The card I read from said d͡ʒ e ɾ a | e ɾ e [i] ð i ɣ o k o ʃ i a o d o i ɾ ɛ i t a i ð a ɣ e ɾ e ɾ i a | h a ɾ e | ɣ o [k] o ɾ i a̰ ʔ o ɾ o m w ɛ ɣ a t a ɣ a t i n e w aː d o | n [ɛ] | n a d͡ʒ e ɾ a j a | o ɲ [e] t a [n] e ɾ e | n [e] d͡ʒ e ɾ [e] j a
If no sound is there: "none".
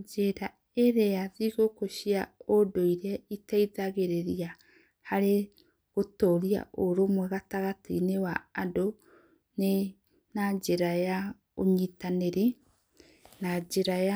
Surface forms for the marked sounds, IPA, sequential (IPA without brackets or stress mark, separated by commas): a, t, e, i, n, a, a